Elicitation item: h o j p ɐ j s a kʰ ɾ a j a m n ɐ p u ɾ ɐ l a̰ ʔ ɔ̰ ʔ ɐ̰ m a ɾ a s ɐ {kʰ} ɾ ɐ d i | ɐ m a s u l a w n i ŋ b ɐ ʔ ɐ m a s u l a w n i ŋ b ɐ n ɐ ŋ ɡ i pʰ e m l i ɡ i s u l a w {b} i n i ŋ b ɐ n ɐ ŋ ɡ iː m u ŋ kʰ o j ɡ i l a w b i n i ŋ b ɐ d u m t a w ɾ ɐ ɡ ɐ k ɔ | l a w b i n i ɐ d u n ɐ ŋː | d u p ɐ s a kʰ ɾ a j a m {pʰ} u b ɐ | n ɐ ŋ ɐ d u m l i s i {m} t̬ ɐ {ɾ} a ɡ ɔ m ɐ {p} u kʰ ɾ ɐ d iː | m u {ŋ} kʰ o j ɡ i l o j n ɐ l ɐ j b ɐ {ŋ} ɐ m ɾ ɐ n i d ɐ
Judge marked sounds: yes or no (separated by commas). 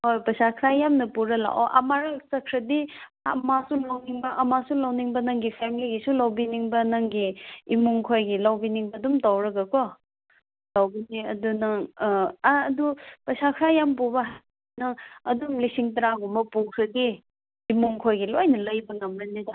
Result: yes, yes, no, no, yes, yes, yes, yes